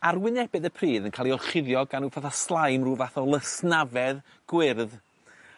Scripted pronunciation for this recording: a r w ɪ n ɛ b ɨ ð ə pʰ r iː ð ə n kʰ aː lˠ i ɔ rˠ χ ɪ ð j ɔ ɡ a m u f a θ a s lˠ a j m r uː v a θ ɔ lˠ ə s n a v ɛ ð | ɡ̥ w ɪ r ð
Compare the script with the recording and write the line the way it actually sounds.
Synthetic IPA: a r w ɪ n ɛ b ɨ ð ə pʰ r iː ð ə n kʰ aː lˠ i ɔ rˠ χ ɪ ð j ɔ ɡ a n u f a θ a s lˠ a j m r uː v a θ ɔ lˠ ə s n a v ɛ ð | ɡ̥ w ɪ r ð